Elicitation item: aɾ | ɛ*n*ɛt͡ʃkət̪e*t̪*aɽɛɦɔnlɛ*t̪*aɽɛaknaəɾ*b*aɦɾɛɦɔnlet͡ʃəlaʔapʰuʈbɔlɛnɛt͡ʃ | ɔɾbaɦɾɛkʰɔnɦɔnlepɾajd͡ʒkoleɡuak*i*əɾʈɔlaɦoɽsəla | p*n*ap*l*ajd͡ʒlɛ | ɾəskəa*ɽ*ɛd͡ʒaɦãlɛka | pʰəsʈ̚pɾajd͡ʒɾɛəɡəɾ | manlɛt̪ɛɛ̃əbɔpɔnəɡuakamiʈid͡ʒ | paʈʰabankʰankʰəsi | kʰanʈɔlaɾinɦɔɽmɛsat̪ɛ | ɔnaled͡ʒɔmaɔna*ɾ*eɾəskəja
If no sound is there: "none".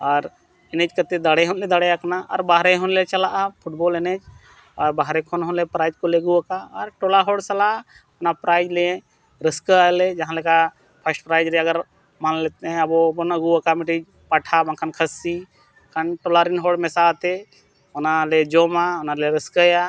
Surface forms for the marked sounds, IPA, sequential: n, d̪, d̪, b, a, n, ɾ, l, l

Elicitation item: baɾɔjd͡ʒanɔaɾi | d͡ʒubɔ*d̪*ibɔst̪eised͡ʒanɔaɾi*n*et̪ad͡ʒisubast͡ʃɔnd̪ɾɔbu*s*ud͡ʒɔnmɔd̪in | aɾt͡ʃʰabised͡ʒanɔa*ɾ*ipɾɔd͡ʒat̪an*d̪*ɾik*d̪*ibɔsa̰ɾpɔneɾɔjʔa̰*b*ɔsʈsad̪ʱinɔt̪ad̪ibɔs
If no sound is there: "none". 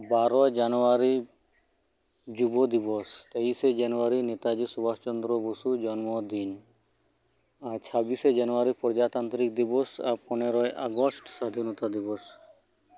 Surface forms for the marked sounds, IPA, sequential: d̪, n, s, ɾ, t̪, d̪, ɡ

